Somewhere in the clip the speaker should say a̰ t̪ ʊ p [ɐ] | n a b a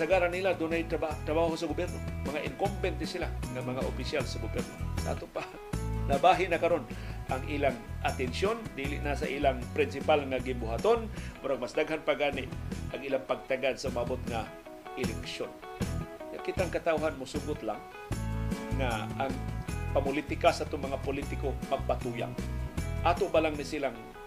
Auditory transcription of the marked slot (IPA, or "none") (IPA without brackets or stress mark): a